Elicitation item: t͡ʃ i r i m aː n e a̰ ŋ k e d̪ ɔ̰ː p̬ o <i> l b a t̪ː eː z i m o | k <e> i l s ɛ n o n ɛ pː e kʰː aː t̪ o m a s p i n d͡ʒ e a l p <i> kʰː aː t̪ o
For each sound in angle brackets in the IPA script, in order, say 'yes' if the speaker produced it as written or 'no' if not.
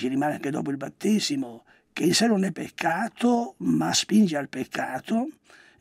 yes, yes, no

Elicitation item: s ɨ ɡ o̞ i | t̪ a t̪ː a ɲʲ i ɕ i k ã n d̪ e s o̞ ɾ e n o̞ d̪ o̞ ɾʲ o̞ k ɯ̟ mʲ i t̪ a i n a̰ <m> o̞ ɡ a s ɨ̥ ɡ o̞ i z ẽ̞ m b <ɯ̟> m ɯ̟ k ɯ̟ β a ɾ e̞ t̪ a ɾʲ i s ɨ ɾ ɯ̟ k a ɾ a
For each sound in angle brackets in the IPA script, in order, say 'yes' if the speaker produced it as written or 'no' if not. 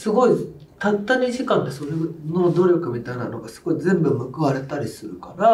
no, yes

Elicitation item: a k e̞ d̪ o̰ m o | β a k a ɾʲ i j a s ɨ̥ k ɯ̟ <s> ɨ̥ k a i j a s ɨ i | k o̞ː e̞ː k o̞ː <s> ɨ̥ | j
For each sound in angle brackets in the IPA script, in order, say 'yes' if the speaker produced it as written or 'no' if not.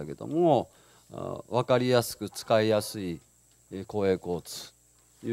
no, no

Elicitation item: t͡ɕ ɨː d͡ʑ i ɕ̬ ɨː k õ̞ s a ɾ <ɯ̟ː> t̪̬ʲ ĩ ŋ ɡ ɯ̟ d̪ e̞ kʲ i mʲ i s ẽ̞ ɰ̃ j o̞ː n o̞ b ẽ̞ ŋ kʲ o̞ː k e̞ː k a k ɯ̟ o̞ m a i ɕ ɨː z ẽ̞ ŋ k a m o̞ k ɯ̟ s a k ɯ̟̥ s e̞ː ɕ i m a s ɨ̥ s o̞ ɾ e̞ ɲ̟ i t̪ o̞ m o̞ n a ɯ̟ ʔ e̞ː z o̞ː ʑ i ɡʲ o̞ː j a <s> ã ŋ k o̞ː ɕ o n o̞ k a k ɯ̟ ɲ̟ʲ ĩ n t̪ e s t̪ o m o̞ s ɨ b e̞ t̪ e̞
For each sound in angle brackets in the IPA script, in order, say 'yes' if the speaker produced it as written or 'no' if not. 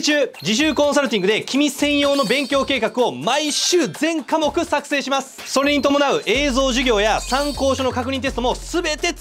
no, yes

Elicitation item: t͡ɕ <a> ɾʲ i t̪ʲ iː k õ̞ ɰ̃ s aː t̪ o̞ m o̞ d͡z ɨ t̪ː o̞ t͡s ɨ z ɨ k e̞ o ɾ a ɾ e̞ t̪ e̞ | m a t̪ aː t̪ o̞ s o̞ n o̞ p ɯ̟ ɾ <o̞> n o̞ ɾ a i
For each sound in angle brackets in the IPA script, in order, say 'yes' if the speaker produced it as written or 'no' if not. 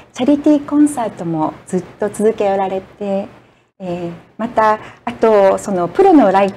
yes, yes

